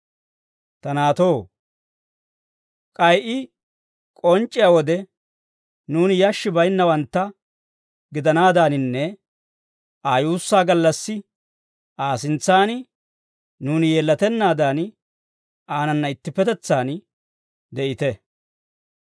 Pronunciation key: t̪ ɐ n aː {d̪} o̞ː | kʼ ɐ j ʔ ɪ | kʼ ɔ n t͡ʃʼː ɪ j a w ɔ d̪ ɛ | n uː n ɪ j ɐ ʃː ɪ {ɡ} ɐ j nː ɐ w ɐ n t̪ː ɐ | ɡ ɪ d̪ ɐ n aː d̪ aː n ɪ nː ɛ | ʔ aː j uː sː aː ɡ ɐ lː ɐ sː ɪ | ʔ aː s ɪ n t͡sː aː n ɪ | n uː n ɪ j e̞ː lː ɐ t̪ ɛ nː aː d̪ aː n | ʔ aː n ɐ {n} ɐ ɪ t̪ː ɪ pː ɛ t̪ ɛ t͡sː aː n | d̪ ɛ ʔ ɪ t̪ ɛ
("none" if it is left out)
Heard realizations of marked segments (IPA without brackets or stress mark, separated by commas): t̪, b, nː